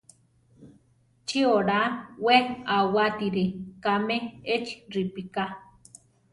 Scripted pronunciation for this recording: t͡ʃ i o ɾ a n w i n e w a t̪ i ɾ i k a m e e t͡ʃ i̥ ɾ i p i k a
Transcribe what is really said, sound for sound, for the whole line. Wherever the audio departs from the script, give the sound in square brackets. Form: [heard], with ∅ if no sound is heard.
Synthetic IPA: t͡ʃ i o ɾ a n w [e] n [a] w a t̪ i ɾ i k a m e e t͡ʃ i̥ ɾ i p i k a